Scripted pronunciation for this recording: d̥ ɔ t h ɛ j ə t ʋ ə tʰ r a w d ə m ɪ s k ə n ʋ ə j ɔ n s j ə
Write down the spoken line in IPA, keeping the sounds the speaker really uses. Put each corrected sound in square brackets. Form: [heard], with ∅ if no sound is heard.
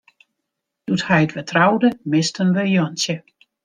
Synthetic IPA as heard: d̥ [u] t h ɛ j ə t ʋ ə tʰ r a w d ə m ɪ s [t] ə n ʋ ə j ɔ n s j ə